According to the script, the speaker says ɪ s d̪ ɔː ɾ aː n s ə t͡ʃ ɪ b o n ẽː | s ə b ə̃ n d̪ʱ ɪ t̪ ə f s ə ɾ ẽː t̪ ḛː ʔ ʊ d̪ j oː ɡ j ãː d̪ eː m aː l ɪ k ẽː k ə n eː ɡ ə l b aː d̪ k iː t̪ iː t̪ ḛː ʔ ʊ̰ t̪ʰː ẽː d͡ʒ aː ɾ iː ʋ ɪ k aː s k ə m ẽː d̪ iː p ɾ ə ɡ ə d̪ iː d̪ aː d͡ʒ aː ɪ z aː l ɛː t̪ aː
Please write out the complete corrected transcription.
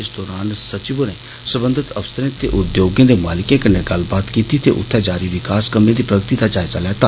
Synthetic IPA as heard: ɪ s d̪ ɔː ɾ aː n s ə t͡ʃ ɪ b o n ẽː | s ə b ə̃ n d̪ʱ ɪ t̪ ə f s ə ɾ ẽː t̪ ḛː ʔ ʊ d̪ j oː ɡ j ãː d̪ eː m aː l ɪ k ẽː k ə n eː ɡ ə l b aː t̪ k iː t̪ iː t̪ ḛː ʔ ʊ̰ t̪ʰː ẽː d͡ʒ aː ɾ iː ʋ ɪ k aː s k ə m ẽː d̪ iː p ɾ ə ɡ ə t̪ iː d̪ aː d͡ʒ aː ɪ z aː l ɛː t̪ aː

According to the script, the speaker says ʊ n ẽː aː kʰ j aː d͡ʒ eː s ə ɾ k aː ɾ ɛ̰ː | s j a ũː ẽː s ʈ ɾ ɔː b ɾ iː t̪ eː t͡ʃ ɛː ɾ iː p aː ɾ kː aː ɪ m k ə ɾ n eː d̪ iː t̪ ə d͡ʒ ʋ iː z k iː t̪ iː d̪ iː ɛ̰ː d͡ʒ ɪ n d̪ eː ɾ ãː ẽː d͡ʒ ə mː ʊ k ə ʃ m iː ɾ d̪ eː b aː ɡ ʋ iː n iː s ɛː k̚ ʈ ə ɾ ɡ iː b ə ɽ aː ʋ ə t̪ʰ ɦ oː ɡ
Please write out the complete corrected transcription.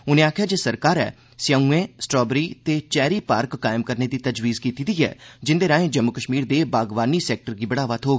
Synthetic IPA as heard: ʊ n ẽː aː kʰ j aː d͡ʒ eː s ə ɾ k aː ɾ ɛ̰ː | s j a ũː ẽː s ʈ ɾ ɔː b ɾ iː t̪ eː t͡ʃ ɛː ɾ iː p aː ɾ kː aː ɪ m k ə ɾ n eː d̪ iː t̪ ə d͡ʒ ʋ iː z k iː t̪ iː d̪ iː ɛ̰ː d͡ʒ ɪ n d̪ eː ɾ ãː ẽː d͡ʒ ə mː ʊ k ə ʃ m iː ɾ d̪ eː b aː ɡ ʋ aː n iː s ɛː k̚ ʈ ə ɾ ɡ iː b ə ɽ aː ʋ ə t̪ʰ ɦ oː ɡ

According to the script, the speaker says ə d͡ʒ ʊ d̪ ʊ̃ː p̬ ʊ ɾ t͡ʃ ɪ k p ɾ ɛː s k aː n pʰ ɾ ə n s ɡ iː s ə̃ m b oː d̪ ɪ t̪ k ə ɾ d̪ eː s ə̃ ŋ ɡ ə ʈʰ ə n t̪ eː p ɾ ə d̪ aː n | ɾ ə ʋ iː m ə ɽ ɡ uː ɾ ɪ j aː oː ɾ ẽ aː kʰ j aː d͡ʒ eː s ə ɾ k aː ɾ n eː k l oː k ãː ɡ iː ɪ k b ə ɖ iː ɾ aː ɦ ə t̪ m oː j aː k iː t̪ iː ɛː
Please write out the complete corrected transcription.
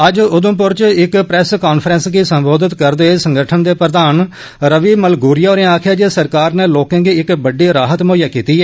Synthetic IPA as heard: ə d͡ʒ ʊ d̪ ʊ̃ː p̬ ʊ ɾ t͡ʃ ɪ k p ɾ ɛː s k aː n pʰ ɾ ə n s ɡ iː s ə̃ m b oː d̪ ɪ t̪ k ə ɾ d̪ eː s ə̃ ŋ ɡ ə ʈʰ ə n d̪ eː p ɾ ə d̪ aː n | ɾ ə ʋ iː m ə l ɡ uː ɾ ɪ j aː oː ɾ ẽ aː kʰ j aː d͡ʒ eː s ə ɾ k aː ɾ n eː l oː k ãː ɡ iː ɪ k b ə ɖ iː ɾ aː ɦ ə t̪ m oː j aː k iː t̪ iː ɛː

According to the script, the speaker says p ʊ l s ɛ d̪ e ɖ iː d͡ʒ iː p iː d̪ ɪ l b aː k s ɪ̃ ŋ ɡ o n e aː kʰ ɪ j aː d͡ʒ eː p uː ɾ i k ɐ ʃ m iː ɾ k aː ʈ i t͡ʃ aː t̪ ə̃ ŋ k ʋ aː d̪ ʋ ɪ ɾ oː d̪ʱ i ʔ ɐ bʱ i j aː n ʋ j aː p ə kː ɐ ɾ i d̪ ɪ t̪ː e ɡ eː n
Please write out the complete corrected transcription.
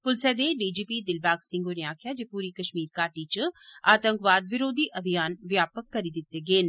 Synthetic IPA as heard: p ʊ l s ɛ d̪ e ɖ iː d͡ʒ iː p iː d̪ ɪ l b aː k s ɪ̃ ŋ ɡ o n e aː kʰ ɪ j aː d͡ʒ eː p uː ɾ i k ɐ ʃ m iː ɾ k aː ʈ i t͡ʃ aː t̪ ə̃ ŋ k ʋ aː d̪ ʋ ɪ ɾ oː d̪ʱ i ʔ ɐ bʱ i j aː n ʋ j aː p ə kː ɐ ɾ i d̪ ɪ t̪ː e ɡ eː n

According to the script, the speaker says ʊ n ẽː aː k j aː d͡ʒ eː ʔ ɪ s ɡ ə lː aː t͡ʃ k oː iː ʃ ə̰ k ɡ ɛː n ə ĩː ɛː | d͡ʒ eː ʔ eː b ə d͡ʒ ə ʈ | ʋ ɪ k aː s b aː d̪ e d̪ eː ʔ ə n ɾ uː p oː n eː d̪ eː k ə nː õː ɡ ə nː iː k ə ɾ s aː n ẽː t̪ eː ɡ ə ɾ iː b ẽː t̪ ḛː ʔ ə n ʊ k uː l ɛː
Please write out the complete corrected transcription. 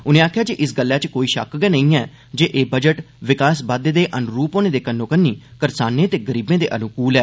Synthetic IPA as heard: ʊ n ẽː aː kʰ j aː d͡ʒ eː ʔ ɪ s ɡ ə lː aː t͡ʃ k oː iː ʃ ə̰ k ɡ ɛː n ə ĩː ɛː | d͡ʒ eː ʔ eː b ə d͡ʒ ə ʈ | ʋ ɪ k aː s b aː d̪ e d̪ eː ʔ ə n ɾ uː p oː n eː d̪ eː k ə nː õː k ə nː iː k ə ɾ s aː n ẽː t̪ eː ɡ ə ɾ iː b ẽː d̪ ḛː ʔ ə n ʊ k uː l ɛː

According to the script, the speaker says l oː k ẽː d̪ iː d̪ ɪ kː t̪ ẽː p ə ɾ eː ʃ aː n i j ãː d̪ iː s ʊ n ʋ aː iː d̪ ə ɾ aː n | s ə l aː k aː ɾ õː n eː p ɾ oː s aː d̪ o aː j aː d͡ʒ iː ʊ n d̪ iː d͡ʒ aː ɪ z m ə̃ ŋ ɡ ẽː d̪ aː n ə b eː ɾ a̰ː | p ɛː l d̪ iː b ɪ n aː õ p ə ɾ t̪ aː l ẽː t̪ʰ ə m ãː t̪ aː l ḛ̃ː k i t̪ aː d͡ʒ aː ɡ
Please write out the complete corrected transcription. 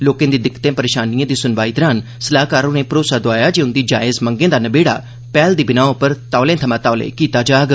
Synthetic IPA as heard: l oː k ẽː d̪ iː d̪ ɪ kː t̪ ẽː p ə ɾ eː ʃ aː n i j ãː d̪ iː s ʊ n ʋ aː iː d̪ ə ɾ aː n | s ə l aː k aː ɾ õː n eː p ɾ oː s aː d̪ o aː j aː d͡ʒ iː ʊ n d̪ iː d͡ʒ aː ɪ z m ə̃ ŋ ɡ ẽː d̪ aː n ə b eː ɽ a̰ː | p ɛː l d̪ iː b ɪ n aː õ p ə ɾ t̪ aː l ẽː t̪ʰ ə m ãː t̪ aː l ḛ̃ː k iː t̪ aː d͡ʒ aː ɡ

